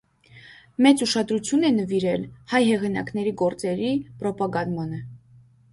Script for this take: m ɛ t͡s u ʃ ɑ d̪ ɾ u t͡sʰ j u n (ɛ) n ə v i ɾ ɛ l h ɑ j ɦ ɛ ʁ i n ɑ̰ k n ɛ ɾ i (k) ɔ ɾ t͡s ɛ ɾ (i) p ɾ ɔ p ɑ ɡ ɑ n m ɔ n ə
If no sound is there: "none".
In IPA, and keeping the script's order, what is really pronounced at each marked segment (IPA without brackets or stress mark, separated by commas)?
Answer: ɛ, ɡ, i